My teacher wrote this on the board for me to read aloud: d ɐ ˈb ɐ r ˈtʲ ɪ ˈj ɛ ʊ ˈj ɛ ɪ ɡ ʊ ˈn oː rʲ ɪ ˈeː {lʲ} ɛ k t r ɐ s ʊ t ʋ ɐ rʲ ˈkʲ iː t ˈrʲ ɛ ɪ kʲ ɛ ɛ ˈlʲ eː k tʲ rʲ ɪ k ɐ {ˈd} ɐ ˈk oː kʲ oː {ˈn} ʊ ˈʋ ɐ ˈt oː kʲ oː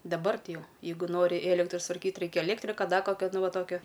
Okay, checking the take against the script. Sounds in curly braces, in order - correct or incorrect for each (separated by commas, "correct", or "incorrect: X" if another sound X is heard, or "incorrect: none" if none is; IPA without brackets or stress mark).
correct, correct, correct